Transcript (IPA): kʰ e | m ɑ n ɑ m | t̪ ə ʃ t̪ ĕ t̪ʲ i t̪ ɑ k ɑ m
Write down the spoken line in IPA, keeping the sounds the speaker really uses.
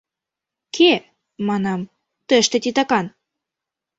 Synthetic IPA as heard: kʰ e | m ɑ n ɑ m | t̪ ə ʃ t̪ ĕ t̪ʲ i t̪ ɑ k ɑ n